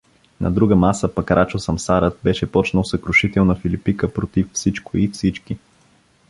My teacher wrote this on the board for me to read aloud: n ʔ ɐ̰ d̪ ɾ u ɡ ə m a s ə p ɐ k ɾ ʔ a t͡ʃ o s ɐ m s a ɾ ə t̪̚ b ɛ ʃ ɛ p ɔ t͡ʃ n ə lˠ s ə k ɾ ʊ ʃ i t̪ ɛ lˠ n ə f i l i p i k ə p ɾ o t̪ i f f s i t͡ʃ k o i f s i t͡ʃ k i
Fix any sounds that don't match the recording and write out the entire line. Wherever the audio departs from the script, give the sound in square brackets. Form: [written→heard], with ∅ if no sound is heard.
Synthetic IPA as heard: n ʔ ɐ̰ d̪ ɾ u ɡ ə m a s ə p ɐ k ɾ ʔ a t͡ʃ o s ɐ m s a ɾ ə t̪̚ b ɛ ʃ ɛ p ɔ t͡ʃ n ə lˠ s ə k ɾ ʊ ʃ i t̪ ɛ lˠ n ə f i l i p i k ə p ɾ o t̪ i f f s i t͡ʃ k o i f s i t͡ʃ k i